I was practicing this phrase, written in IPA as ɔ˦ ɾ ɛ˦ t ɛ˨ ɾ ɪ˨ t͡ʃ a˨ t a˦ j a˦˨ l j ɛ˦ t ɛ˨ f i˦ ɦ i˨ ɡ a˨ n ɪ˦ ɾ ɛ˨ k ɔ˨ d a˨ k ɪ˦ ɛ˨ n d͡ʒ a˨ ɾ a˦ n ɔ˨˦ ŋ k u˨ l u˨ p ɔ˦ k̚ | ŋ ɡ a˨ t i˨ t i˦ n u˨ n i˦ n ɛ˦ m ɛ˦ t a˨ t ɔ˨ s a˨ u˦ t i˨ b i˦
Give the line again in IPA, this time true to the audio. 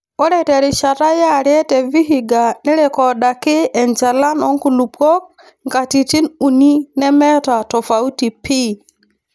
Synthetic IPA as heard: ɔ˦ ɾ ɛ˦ t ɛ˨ ɾ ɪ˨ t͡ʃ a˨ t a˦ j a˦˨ ɾ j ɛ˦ t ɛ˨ v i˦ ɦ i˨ ɡ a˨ n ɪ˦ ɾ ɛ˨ k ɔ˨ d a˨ k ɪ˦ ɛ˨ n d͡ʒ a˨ l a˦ n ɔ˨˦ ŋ k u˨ l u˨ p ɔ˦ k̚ | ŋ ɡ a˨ t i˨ t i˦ n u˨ n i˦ n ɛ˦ m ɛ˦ t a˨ t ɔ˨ f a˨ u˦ t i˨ p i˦